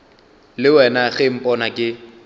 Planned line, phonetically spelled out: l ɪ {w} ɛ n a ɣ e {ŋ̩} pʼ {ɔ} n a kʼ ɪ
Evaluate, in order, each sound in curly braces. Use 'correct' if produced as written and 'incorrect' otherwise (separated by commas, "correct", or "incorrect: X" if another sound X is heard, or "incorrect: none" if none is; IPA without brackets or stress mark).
correct, incorrect: m̩, correct